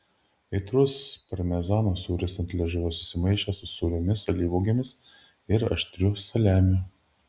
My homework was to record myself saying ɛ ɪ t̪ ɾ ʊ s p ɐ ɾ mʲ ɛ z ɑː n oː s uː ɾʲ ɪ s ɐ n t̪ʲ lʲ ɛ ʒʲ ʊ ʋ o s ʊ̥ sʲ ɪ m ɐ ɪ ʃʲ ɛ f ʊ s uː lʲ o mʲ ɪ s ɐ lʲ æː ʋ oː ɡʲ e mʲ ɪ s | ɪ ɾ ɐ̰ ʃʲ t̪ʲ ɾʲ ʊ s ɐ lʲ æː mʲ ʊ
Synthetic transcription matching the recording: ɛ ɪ t̪ ɾ ʊ s p ɐ ɾ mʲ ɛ z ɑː n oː s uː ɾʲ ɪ s ɐ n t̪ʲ lʲ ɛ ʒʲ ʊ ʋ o s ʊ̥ sʲ ɪ m ɐ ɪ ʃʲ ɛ s ʊ s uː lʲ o mʲ ɪ s ɐ lʲ iː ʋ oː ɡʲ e mʲ ɪ s | ɪ ɾ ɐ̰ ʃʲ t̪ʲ ɾʲ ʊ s ɐ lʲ æː mʲ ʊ